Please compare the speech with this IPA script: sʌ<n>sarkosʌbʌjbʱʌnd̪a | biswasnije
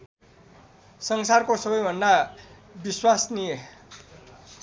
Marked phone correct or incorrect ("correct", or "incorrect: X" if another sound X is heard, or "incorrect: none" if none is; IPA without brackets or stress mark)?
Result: incorrect: ŋ